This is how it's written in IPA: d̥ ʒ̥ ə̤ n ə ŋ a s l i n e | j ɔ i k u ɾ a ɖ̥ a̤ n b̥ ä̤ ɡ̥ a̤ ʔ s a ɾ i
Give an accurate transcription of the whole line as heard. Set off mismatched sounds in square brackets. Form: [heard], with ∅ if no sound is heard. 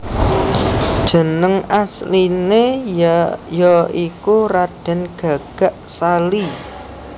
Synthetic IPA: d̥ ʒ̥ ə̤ n ə ŋ a s l i n e | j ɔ i k u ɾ a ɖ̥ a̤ n [ɡ̥] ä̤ ɡ̥ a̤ ʔ s a [l] i